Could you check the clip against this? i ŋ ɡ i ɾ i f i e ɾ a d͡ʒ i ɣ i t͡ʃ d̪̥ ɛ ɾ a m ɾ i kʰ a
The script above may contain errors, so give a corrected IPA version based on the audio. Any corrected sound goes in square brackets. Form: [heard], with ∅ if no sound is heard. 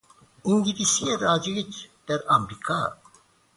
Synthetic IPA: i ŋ ɡ i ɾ i [s] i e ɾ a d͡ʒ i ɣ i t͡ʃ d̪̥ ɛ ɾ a m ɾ i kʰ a